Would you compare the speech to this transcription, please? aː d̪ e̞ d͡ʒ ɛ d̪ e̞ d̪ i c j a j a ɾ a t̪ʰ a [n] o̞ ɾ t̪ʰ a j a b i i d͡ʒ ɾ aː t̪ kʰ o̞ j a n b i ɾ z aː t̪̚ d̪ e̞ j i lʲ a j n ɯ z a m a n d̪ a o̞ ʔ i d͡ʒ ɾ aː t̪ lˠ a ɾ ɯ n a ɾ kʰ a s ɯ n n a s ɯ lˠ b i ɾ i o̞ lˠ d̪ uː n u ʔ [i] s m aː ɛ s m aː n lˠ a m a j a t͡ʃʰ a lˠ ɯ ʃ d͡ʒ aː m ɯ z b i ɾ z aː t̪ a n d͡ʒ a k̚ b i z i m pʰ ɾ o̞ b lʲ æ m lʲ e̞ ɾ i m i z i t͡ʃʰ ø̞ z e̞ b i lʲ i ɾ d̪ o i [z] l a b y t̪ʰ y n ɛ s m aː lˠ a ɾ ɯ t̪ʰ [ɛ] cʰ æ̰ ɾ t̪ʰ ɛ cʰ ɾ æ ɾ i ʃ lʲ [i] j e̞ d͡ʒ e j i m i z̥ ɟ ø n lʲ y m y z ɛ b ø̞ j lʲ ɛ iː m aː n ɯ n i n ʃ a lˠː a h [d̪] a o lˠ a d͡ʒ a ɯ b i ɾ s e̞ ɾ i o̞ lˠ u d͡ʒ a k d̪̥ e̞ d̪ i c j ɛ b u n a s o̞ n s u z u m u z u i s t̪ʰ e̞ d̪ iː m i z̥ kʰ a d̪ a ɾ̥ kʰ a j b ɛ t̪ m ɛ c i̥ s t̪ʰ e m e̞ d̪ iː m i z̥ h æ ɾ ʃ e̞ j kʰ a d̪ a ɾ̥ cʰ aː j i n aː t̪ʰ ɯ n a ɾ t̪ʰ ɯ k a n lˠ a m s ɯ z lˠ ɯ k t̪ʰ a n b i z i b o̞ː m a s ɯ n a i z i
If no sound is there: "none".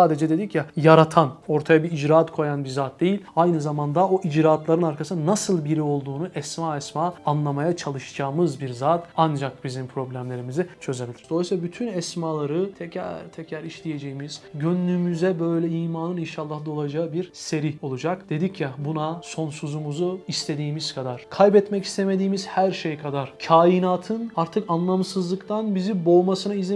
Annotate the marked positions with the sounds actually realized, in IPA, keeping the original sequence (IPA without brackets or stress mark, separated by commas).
n, ɛ, s, ɛ, i, d̪